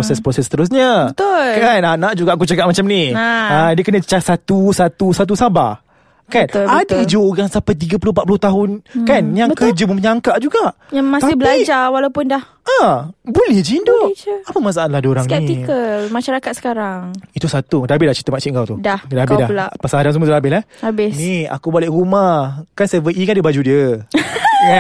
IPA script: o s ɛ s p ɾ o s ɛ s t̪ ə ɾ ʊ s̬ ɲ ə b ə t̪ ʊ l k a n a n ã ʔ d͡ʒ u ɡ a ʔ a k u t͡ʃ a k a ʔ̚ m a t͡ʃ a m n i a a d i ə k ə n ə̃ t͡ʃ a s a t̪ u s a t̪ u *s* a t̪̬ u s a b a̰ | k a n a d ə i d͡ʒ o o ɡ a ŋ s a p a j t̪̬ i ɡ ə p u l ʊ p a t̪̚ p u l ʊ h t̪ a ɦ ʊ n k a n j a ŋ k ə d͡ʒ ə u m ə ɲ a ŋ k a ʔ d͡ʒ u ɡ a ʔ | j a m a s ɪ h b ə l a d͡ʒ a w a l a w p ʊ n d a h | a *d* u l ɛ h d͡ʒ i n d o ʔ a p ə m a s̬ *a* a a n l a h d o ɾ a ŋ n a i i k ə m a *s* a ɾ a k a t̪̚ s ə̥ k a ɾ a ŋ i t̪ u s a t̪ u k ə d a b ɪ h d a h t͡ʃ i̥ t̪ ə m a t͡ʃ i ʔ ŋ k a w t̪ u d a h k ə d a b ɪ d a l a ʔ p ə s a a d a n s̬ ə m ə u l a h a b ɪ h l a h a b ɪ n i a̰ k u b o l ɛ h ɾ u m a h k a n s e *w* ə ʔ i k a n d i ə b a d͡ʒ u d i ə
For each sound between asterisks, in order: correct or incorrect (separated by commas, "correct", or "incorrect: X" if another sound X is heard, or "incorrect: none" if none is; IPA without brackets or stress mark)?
correct, incorrect: b, correct, incorrect: ʃ, incorrect: v